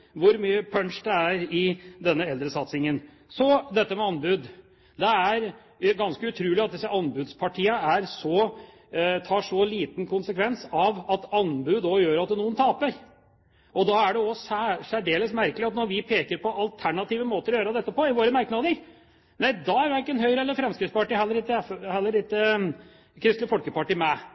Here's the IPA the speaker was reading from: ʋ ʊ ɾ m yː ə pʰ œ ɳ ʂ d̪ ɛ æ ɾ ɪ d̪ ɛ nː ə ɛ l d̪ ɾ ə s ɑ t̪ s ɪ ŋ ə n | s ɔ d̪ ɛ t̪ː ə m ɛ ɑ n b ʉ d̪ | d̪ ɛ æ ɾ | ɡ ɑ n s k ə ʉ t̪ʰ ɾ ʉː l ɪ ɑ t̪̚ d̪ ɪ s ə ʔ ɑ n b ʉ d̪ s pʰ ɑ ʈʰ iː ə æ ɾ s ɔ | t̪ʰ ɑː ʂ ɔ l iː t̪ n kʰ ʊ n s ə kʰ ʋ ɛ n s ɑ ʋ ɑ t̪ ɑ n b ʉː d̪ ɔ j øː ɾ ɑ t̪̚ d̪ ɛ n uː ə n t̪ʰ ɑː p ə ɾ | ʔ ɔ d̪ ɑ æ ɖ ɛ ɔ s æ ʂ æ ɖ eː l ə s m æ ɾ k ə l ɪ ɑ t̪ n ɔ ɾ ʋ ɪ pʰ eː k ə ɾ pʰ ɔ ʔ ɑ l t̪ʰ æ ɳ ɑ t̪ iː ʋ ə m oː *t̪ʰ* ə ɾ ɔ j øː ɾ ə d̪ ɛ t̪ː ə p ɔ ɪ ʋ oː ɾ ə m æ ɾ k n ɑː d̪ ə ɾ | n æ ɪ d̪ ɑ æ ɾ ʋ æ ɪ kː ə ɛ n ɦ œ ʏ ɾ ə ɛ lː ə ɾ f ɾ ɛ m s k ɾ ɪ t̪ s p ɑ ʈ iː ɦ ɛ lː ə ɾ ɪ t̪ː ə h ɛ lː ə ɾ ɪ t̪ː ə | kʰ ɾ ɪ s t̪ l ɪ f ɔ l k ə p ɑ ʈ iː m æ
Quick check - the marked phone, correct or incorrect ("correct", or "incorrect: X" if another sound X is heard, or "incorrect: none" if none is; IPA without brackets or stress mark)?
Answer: incorrect: t̪